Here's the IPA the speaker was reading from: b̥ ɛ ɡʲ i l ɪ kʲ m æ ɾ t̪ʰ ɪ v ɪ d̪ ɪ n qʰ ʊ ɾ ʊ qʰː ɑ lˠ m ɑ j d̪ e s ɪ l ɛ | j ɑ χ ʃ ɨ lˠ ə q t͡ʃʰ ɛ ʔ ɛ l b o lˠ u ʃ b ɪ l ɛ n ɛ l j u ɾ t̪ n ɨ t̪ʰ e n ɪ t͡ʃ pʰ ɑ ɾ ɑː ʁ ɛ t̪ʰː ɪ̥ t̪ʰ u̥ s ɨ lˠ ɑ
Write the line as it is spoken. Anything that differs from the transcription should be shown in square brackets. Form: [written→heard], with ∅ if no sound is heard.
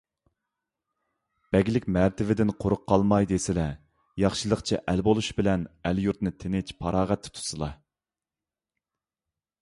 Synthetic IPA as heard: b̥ ɛ ɡʲ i l ɪ kʲ m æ ɾ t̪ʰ ɪ v ɪ d̪ ɪ n qʰ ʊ ɾ ʊ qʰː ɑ lˠ m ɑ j d̪ e s ɪ l ɛ | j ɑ χ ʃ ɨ lˠ ə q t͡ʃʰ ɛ ʔ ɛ l b o lˠ u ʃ b ɪ l ɛ n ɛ l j u ɾ t̪ n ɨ t̪ʰ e n ɪ t͡ʃ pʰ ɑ ɾ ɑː ʁ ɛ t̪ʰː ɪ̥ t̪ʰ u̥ s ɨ lˠ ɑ